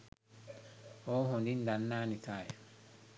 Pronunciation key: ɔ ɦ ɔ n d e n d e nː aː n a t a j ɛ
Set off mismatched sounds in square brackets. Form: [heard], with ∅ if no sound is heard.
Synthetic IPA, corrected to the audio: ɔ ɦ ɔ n d [i] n d [a] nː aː n [i] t a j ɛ